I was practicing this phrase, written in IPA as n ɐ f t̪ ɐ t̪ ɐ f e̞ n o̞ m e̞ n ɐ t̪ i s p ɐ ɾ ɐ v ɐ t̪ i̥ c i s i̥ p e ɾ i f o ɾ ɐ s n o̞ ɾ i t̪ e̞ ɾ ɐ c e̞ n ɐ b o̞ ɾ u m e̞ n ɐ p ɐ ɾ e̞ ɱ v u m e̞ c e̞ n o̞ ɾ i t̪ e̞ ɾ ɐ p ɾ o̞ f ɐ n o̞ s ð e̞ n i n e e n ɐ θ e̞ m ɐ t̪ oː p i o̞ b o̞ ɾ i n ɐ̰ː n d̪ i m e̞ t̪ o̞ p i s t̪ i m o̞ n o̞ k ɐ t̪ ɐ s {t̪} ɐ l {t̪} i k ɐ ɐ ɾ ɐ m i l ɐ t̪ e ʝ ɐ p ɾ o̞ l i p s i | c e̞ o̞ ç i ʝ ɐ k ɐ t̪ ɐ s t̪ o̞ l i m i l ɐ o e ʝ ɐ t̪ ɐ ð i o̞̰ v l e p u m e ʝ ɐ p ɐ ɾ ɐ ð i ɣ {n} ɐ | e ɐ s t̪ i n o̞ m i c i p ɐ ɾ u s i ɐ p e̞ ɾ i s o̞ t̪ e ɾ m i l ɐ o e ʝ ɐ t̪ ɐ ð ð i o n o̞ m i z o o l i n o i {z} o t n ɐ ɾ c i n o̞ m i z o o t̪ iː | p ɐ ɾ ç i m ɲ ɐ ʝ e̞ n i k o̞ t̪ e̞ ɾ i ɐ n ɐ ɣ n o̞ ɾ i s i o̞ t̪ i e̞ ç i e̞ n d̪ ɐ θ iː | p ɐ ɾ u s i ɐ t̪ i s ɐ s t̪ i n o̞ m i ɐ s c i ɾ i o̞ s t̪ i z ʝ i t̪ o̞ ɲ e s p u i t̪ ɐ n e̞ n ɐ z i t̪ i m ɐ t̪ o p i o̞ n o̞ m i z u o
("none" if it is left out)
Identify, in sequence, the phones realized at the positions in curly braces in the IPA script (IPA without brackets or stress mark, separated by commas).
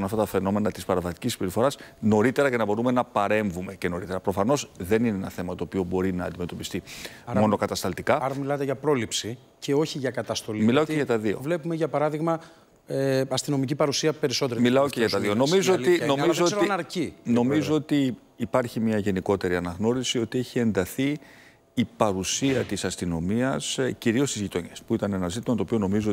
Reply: t̪, t̪, m, z